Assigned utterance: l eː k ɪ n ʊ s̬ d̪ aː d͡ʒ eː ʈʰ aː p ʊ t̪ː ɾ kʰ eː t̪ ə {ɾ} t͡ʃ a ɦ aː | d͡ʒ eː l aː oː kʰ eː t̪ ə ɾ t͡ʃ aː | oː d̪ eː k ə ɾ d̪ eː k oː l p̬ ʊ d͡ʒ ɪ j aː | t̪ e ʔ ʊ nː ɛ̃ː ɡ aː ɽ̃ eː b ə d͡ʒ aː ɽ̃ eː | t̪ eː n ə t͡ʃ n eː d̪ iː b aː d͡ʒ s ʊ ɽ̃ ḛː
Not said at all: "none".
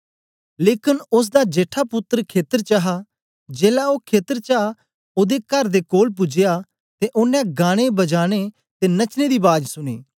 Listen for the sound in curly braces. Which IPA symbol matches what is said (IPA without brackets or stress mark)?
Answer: ɾ